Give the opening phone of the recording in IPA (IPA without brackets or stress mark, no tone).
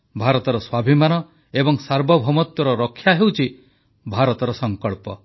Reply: bʱ